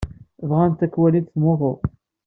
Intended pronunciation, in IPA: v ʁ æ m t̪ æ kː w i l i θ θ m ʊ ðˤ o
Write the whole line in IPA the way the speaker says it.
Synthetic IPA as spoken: v ʁ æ n t̪ æ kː w æ l i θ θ m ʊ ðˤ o